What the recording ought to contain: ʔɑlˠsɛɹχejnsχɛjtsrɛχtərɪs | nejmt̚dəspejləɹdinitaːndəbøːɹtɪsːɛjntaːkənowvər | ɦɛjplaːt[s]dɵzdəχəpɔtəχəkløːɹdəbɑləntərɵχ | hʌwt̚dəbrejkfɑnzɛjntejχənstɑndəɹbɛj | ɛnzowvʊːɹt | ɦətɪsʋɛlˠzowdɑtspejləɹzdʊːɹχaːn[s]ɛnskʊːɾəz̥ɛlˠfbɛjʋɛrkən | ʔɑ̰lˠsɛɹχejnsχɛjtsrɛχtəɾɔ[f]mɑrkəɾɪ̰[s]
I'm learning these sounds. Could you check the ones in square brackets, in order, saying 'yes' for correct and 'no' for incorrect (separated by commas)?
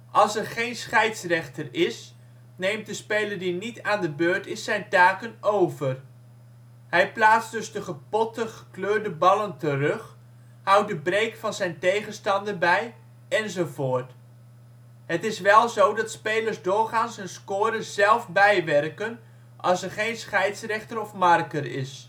yes, yes, yes, yes